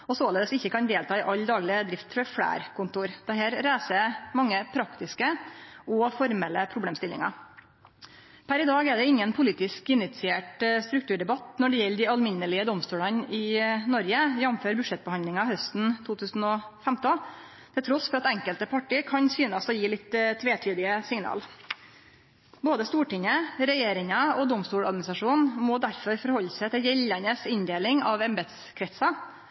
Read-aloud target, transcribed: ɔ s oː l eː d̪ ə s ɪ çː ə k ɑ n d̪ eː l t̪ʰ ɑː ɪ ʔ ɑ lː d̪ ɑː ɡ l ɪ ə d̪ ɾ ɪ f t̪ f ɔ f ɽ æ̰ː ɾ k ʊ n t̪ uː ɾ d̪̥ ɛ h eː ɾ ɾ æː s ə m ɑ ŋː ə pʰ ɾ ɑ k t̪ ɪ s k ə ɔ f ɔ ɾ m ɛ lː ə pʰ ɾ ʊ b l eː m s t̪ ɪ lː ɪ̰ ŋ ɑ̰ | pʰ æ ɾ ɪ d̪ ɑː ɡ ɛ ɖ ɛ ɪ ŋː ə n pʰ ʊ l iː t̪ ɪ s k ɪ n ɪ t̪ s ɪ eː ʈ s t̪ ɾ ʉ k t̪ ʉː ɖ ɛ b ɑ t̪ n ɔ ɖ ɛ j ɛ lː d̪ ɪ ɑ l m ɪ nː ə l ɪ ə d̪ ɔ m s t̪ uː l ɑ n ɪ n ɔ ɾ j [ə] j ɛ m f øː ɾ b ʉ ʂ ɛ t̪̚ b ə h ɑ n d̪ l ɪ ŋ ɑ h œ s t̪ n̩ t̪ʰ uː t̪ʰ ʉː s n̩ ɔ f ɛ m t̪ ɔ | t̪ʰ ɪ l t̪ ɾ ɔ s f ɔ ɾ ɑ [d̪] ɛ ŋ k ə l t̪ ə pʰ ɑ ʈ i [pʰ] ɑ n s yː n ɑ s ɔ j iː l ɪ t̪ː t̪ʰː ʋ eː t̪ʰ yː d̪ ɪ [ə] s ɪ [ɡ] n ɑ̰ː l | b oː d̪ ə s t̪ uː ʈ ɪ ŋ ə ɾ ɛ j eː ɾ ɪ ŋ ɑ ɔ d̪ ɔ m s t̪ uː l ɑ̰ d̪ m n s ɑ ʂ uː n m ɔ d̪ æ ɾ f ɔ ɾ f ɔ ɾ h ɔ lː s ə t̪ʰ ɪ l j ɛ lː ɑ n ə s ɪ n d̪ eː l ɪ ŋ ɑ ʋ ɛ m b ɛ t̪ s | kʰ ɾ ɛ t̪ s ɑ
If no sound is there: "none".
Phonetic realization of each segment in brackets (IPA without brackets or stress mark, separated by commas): ə, t̪, kʰ, ə, ŋ